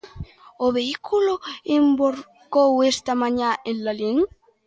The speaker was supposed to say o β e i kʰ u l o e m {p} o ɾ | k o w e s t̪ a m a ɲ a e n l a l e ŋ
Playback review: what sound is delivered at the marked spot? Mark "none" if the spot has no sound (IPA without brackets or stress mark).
b